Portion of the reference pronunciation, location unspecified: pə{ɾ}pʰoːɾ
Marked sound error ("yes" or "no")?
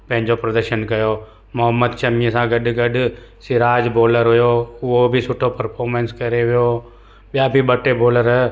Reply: no